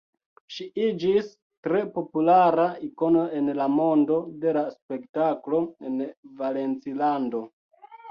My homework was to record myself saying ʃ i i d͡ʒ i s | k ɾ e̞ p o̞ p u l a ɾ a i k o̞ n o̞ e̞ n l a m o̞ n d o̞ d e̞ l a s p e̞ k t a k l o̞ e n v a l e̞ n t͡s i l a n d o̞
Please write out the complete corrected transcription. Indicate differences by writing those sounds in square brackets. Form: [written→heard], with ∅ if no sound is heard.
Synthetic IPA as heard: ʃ i i d͡ʒ i s | [k→t] ɾ e̞ p o̞ p u l a ɾ a i k o̞ n o̞ e̞ n l a m o̞ n d o̞ d e̞ l a s p e̞ k t a k l o̞ e n v a l e̞ n t͡s i l a n d o̞